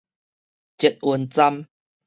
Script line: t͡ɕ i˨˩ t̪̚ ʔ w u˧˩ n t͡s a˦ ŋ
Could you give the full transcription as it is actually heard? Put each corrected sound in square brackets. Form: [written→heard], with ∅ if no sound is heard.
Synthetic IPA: t͡ɕ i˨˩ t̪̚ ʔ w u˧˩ n t͡s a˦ [ŋ→m]